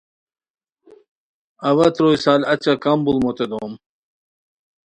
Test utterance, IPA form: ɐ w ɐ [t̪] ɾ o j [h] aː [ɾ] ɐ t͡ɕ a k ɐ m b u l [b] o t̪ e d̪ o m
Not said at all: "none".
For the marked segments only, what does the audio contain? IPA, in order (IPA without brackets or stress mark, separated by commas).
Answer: t̪, s, l, m